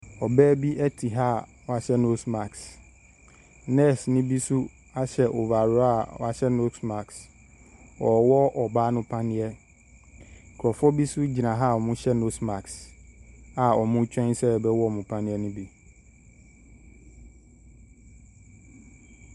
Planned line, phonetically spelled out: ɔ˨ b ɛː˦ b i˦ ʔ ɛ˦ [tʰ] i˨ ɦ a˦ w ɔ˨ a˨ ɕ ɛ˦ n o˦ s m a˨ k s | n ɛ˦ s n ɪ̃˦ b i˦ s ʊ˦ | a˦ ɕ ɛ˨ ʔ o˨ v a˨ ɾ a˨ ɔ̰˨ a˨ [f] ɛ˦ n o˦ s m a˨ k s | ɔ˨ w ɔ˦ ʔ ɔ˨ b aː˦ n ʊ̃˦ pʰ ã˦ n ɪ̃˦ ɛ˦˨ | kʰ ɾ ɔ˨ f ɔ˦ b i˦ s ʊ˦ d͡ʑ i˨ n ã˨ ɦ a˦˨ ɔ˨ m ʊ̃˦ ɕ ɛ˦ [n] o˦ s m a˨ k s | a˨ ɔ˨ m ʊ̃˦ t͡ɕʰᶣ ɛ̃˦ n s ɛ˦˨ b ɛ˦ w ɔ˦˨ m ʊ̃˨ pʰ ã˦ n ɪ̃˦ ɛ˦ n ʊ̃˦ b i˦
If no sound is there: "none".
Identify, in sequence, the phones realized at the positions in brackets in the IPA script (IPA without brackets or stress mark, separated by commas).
tʰ, ɕ, n